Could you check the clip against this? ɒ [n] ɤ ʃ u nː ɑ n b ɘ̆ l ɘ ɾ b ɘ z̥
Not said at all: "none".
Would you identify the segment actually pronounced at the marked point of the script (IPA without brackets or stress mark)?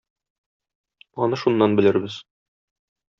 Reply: n